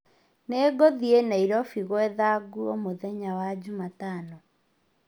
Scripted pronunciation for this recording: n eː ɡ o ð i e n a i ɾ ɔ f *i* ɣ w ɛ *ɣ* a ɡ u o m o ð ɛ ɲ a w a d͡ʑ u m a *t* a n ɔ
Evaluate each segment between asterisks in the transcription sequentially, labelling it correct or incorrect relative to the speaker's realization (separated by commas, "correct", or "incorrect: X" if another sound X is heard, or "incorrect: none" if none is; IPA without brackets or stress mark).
correct, incorrect: ð, correct